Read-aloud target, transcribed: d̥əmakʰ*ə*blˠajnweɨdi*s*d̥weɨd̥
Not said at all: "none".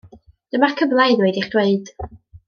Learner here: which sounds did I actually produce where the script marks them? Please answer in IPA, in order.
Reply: ə, χ

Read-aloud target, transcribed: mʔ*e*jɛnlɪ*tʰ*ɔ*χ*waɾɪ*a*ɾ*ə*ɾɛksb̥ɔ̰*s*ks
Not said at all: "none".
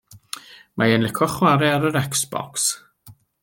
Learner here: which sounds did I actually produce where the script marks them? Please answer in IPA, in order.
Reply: a, kʰ, χ, a, ə, none

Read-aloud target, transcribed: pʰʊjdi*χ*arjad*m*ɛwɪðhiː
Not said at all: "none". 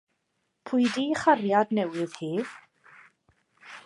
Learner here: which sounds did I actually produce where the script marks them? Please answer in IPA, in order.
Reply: χ, n

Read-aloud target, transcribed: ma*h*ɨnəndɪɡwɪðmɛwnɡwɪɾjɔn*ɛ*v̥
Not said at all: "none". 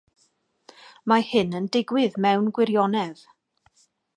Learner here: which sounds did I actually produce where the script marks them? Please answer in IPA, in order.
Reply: h, ɛ

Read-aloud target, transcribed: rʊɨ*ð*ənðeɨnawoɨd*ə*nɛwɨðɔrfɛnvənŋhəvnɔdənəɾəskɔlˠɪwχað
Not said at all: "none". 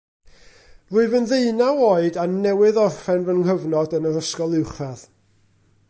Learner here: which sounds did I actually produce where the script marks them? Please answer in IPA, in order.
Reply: v, a

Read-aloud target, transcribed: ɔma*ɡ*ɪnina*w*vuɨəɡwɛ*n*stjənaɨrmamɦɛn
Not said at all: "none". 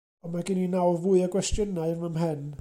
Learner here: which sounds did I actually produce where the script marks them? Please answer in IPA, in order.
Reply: ɡ, w, none

